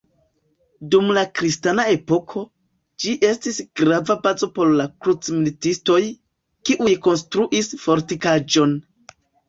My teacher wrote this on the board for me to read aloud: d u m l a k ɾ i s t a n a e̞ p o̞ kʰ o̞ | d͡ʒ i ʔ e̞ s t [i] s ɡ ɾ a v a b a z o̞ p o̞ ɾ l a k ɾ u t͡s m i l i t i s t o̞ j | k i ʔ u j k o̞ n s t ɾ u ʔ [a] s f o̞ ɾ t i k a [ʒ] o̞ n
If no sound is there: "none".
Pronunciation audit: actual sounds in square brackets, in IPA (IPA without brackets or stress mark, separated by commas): i, i, d͡ʒ